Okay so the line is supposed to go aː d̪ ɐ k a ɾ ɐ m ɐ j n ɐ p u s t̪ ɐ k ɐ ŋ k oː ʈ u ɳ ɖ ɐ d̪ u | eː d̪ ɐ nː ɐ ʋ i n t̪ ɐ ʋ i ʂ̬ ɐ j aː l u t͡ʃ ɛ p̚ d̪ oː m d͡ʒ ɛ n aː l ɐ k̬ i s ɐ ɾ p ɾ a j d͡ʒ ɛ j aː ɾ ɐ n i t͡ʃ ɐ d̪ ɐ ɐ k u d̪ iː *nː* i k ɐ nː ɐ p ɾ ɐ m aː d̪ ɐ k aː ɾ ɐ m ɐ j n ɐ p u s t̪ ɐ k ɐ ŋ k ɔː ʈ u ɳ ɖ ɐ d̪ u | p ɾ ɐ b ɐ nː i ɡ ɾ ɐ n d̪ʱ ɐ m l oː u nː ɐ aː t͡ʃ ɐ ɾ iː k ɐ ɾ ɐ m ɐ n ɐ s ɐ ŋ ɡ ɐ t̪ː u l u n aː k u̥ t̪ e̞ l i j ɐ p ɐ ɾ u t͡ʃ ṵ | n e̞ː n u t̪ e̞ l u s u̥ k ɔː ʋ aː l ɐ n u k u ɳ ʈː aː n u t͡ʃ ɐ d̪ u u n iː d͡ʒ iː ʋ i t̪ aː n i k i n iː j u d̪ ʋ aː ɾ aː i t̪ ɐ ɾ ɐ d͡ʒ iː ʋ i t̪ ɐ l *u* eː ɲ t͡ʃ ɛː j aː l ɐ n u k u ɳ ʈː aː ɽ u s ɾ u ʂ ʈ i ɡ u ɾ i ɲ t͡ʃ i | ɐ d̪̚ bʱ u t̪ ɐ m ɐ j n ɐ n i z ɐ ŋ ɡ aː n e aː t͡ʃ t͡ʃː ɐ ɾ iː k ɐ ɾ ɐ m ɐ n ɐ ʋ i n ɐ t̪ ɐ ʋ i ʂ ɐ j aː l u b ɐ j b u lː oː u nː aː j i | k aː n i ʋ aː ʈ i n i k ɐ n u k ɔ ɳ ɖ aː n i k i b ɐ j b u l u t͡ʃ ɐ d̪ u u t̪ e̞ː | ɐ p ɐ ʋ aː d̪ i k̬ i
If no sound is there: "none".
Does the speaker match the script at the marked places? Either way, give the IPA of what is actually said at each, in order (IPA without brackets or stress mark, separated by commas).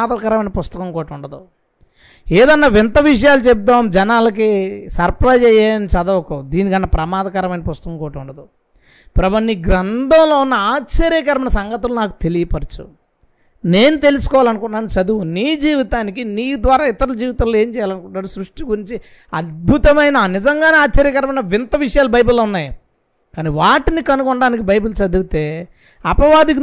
n, o